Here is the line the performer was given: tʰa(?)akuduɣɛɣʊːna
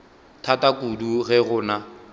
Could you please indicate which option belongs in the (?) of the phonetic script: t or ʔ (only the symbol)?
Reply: t